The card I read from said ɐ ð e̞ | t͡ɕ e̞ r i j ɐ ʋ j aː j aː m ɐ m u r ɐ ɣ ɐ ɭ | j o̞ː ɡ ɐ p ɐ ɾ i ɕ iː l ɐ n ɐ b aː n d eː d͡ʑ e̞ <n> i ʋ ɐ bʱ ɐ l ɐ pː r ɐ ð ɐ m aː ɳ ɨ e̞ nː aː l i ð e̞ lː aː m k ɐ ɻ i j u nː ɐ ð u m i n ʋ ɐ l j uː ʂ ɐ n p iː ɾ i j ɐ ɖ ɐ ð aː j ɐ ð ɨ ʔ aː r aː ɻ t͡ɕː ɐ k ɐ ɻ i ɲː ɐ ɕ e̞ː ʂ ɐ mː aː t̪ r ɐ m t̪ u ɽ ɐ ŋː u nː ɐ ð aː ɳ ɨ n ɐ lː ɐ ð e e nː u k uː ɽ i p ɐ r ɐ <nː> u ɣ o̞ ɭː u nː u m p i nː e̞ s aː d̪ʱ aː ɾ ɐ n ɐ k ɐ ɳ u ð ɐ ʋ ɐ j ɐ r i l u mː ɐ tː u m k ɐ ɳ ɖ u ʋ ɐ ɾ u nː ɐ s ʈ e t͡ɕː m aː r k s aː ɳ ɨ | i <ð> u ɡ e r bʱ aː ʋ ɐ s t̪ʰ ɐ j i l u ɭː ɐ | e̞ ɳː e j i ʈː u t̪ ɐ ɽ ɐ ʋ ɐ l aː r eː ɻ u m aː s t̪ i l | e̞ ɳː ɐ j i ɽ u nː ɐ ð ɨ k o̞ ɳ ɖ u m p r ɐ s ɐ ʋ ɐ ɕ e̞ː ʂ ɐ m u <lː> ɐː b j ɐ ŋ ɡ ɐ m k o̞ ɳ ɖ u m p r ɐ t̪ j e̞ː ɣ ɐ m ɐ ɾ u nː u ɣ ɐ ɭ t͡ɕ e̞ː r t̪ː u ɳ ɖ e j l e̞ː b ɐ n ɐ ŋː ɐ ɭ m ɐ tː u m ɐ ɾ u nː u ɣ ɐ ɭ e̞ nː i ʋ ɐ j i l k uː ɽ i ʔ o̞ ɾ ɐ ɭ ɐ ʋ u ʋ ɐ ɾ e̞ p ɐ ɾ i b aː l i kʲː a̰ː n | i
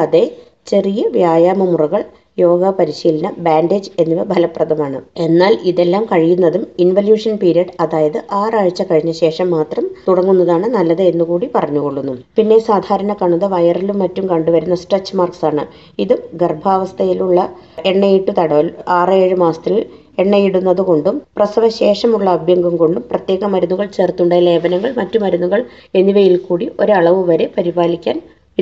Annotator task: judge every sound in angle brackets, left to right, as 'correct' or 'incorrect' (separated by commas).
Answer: incorrect, incorrect, correct, incorrect